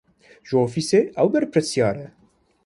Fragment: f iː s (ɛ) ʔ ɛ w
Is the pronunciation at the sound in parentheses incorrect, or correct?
incorrect